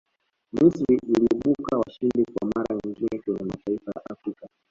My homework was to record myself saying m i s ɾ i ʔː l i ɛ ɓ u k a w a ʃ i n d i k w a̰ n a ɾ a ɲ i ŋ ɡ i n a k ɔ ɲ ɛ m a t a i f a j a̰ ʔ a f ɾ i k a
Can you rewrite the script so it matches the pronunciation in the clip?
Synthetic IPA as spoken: m i s ɾ i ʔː l i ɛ ɓ u k a w a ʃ i n d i k w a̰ m a ɾ a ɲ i ŋ ɡ i n ɛ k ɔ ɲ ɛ m a t a i f a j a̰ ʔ a f ɾ i k a